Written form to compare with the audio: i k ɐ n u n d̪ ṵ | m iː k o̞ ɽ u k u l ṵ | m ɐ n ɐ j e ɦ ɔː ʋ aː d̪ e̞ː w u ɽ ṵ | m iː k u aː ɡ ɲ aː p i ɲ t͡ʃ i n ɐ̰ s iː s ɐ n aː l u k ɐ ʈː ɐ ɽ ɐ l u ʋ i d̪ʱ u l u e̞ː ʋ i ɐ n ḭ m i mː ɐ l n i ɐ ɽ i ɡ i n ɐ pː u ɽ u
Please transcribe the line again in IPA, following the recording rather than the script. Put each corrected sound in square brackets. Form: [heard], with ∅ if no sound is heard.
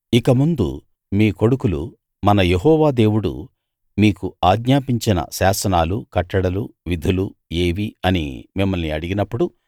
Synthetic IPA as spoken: i k ɐ [m] u n d̪ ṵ | m iː k o̞ ɽ u k u l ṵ | m ɐ n ɐ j e ɦ ɔː ʋ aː d̪ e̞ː w u ɽ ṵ | m iː k u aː ɡ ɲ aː p i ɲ t͡ʃ i n ɐ̰ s [aː] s ɐ n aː l u k ɐ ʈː ɐ ɽ ɐ l u ʋ i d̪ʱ u l u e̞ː ʋ i ɐ n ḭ m i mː ɐ l n i ɐ ɽ i ɡ i n ɐ pː u ɽ u